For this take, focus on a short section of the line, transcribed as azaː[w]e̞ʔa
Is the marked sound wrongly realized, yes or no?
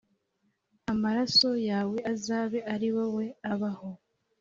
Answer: yes